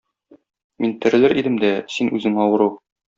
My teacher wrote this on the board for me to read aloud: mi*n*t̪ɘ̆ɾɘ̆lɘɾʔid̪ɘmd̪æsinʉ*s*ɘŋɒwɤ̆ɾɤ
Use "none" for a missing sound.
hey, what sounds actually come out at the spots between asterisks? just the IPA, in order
n, z

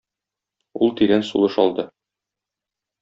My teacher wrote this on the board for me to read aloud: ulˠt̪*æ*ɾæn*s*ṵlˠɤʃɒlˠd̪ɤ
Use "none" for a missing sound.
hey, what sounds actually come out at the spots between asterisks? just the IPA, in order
i, s

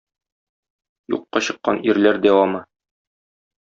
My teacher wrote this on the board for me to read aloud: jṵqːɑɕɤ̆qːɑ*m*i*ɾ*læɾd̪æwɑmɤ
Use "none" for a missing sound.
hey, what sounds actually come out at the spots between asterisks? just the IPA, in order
n, ɾ

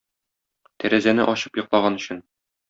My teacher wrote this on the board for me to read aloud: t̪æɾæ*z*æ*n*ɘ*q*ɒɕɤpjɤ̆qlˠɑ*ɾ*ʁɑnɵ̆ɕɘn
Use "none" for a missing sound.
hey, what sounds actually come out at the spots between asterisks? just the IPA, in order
z, n, ʔ, none

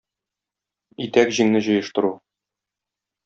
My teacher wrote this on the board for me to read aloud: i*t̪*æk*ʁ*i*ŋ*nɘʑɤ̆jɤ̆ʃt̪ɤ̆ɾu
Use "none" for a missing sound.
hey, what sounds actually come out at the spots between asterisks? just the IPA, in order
t̪, ʑ, ŋ

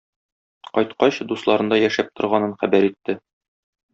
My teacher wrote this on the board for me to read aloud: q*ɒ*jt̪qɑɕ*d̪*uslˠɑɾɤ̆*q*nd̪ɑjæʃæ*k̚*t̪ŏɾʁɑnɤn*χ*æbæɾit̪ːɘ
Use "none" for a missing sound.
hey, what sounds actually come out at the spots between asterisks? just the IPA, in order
ɒ, d̪, none, p̚, χ

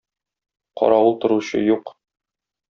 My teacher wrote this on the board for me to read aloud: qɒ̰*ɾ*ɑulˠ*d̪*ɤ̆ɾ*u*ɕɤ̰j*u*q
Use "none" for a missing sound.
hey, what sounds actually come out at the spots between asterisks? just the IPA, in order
ɾ, t̪, u, u

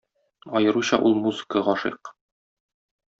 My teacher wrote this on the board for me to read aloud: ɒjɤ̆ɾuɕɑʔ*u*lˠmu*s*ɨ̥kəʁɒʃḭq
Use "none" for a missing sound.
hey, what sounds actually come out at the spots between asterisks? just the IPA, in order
u, z

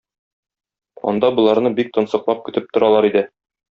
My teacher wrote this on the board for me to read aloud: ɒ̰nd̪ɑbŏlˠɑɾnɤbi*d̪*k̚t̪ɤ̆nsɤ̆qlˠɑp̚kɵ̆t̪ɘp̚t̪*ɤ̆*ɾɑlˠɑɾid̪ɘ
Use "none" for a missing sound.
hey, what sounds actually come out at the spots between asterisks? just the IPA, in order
none, ŏ

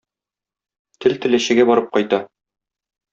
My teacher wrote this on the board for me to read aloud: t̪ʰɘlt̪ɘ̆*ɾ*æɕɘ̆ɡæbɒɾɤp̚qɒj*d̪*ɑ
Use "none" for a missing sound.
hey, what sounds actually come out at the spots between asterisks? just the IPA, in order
l, t̪

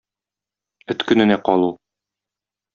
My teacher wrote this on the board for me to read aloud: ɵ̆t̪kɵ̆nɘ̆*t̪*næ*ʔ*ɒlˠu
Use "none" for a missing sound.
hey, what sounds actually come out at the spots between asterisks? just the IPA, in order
none, q

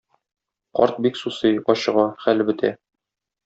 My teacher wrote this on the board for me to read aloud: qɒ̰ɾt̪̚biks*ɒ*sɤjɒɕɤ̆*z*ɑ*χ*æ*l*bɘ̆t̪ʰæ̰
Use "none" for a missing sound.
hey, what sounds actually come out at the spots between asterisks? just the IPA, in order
u, ʁ, χ, l

